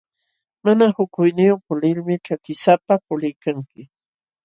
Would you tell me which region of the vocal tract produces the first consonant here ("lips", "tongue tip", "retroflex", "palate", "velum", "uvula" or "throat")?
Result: lips